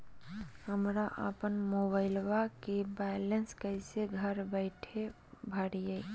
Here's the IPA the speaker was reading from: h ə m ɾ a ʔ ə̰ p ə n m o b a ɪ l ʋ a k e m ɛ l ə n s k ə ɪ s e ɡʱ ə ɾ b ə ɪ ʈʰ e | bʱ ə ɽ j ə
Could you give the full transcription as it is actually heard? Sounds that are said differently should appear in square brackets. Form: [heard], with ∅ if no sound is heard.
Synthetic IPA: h ə m ɾ a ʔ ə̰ p ə n m o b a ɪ l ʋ a k e [b] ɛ l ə n s k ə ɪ s e ɡʱ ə ɾ b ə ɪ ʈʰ e | bʱ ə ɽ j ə